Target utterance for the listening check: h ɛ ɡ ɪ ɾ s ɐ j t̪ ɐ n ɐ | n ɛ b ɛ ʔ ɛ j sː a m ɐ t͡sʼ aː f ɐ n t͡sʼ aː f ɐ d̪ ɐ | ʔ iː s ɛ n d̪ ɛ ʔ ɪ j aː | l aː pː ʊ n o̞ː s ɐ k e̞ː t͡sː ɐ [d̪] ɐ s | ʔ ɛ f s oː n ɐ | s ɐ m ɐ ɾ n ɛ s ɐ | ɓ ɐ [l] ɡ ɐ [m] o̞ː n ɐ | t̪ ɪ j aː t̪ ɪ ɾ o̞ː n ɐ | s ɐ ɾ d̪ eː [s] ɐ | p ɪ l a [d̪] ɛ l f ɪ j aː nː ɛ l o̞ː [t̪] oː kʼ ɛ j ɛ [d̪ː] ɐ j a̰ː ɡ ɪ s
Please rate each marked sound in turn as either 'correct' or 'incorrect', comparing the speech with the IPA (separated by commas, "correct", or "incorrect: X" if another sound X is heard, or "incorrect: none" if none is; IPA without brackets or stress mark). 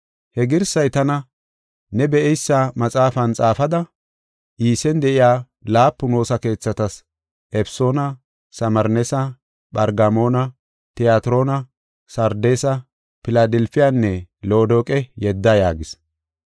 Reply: incorrect: t̪, incorrect: ɾ, correct, correct, correct, incorrect: d̪, correct